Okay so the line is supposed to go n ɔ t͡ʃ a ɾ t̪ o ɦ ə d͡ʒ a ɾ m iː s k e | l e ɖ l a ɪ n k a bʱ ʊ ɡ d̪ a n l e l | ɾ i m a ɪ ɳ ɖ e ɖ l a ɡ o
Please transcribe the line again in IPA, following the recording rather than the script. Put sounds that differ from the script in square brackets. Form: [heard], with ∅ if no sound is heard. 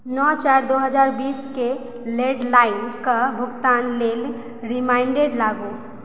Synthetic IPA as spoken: n ɔ t͡ʃ a ɾ [d̪] o ɦ ə d͡ʒ a ɾ [b] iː s k e | l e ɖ l a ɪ n k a bʱ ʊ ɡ [t̪] a n l e l | ɾ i m a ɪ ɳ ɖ e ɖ l a ɡ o